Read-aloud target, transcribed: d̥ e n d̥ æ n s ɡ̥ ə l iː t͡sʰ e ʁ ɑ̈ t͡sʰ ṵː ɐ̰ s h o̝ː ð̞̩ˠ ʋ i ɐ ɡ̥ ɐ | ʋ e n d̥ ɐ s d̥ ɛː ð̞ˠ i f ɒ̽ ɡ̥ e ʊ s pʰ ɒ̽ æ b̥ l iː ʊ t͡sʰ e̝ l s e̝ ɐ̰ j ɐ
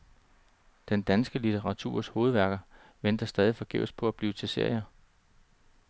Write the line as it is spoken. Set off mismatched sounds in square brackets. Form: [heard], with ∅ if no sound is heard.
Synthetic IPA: d̥ e n d̥ æ n s ɡ̥ ə l [i] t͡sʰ e ʁ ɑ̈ t͡sʰ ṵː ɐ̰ s h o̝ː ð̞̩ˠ ʋ [æ] ɐ ɡ̥ ɐ | ʋ e n d̥ ɐ s d̥ ɛː ð̞ˠ i f ɒ̽ ɡ̥ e ʊ s pʰ ɒ̽ æ b̥ l iː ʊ t͡sʰ e̝ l s e̝ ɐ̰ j ɐ